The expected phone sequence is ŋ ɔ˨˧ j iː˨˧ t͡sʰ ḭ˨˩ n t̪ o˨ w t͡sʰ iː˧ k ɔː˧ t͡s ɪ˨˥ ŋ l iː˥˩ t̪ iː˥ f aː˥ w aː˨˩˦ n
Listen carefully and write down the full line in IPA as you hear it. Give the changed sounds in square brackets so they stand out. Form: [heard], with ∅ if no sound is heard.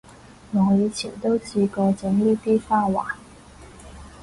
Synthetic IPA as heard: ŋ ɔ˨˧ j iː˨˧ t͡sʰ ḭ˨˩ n t̪ [o˥] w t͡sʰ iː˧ k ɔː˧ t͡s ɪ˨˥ ŋ l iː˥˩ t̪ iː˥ f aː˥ w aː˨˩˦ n